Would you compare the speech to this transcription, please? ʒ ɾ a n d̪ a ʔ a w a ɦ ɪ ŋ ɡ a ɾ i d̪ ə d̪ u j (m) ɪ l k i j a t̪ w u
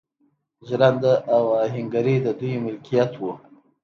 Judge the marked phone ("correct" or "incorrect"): correct